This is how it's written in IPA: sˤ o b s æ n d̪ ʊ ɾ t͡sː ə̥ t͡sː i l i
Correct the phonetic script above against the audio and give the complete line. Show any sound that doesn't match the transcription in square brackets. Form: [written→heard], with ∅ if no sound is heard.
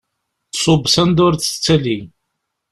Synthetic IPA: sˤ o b s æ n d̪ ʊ ɾ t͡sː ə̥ t͡sː [i→æ] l i